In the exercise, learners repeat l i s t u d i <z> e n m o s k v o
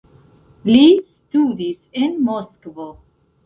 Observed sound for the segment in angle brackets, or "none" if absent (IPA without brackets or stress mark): s